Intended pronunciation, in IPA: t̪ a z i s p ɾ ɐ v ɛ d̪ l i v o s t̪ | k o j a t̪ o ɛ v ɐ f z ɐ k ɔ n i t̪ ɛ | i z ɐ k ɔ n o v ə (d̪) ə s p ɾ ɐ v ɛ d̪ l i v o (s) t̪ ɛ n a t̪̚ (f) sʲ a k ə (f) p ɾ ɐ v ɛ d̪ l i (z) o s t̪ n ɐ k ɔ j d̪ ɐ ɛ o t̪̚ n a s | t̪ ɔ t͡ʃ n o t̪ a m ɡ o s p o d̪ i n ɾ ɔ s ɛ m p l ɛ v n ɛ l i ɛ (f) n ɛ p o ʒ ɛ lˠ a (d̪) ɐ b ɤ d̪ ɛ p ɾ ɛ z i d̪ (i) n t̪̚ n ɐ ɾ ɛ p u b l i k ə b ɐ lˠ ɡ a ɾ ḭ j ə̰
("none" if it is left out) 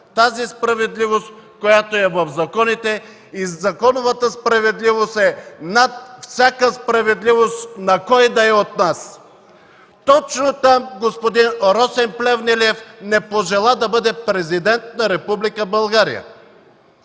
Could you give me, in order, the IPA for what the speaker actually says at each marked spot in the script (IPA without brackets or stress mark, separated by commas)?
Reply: t̪, s, f, s, v, f, d̪, ɛ